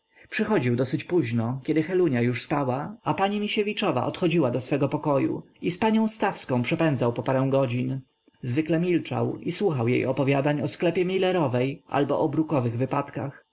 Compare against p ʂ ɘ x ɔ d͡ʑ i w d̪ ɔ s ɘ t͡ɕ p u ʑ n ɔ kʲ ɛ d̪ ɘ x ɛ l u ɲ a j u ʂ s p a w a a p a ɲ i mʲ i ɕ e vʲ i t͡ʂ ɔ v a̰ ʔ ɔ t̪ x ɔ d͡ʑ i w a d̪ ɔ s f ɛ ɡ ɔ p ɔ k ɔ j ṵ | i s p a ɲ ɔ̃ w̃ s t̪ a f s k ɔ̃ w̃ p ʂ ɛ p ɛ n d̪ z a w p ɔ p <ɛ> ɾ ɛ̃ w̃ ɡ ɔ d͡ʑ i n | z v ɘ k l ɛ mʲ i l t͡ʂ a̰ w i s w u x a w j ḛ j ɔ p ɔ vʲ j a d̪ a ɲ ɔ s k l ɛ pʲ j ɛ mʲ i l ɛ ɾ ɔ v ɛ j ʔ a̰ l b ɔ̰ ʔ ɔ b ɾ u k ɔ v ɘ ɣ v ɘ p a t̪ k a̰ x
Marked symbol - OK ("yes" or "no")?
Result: no